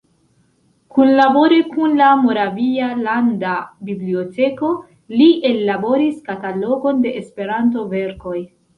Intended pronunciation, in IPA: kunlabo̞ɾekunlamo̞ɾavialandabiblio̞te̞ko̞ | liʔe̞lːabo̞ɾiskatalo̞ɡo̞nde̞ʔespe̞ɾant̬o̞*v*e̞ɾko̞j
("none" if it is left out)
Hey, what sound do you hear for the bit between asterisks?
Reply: v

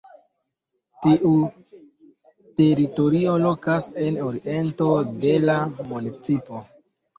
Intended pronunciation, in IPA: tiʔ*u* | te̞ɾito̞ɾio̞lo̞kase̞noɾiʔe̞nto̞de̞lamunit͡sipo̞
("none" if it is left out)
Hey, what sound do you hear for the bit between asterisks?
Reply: u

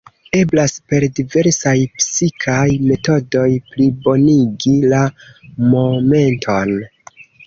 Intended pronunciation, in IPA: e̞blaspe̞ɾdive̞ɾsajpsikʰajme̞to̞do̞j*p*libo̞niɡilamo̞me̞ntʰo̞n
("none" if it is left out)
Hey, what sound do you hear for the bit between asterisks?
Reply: p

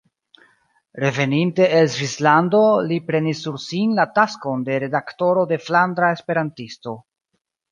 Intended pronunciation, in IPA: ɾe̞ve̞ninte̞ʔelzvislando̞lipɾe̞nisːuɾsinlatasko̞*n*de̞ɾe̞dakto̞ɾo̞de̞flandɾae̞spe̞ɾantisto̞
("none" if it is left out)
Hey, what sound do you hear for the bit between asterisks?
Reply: n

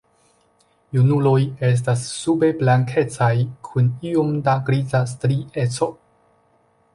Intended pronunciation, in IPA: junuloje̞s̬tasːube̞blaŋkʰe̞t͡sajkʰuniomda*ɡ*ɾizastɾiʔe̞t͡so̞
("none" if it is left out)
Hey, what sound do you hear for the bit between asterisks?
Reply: ɡ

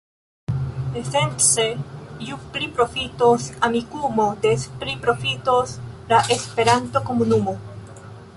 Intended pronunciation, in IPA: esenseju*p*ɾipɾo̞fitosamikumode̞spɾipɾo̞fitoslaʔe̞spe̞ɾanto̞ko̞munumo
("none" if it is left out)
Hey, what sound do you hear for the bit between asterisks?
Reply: p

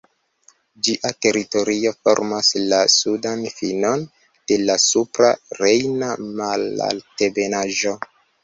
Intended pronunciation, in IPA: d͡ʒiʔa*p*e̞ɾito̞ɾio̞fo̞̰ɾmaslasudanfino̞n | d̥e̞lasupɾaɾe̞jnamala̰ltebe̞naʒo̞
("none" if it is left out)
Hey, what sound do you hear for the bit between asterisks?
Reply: t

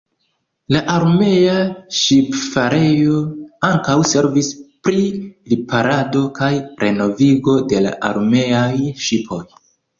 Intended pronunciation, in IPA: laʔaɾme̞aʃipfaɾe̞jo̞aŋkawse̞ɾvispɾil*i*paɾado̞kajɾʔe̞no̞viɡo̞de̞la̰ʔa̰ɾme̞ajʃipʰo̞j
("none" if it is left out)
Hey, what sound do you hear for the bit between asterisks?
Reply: i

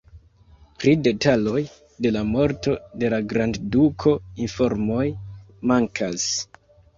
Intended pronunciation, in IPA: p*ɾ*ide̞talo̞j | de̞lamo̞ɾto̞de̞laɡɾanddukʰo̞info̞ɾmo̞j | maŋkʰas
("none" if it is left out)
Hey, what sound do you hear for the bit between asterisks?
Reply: ɾ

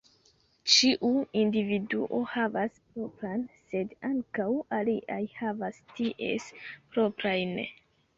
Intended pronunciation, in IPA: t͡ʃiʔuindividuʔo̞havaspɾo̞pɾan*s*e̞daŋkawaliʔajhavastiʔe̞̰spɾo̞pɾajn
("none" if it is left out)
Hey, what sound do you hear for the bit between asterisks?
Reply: s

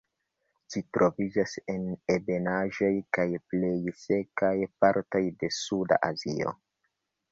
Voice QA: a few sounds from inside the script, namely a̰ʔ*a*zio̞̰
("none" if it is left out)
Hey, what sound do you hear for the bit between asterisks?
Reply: a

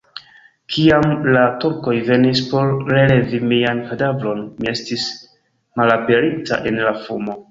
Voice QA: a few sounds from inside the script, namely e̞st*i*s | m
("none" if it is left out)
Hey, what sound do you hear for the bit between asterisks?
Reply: i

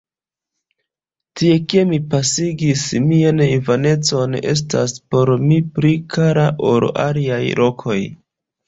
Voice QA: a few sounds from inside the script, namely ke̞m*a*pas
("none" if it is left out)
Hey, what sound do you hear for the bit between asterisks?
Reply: i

